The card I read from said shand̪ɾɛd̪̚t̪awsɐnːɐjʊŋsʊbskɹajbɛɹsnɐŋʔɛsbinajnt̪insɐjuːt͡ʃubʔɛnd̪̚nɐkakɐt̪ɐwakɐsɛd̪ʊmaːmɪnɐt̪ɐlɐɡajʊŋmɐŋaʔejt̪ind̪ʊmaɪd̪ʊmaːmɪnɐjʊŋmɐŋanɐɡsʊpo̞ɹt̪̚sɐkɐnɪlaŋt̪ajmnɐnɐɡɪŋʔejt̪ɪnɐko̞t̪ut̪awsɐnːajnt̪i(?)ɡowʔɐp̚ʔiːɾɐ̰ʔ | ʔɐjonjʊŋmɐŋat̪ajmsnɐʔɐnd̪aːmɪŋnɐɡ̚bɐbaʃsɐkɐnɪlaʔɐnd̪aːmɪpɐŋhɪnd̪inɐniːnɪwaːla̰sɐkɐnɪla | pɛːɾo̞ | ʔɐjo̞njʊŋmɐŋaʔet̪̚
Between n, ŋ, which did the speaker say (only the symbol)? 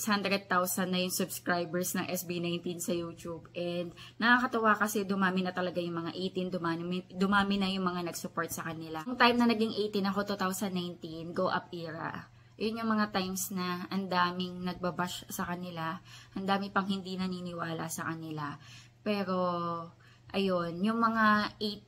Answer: n